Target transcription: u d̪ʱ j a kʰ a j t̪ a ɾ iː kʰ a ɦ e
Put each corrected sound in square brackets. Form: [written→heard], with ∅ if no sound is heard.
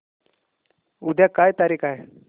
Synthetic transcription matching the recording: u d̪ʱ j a [kʰ→k] a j t̪ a ɾ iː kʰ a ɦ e